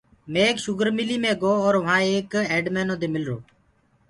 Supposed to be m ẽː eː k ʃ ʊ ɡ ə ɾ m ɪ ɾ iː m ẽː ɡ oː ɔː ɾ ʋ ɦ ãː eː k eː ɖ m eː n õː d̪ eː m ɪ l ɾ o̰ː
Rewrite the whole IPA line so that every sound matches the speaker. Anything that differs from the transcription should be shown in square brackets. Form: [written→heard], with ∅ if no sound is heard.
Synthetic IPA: m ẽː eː k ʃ ʊ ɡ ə ɾ m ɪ [ɾ→l] iː m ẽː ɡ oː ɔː ɾ ʋ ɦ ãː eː k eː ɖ m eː n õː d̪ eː m ɪ l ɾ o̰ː